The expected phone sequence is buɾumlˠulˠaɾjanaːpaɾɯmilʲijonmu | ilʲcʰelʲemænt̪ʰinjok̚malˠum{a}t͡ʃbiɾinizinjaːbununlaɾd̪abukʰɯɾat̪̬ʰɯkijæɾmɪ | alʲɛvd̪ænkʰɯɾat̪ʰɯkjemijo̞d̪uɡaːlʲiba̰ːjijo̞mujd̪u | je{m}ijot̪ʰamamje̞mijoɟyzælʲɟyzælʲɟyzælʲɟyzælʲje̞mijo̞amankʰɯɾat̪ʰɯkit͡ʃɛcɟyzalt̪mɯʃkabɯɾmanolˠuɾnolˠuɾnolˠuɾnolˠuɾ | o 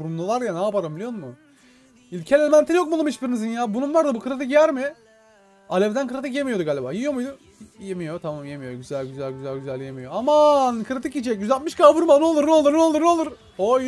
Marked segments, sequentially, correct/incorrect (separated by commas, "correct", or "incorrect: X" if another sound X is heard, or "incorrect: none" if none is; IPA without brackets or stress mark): incorrect: i, correct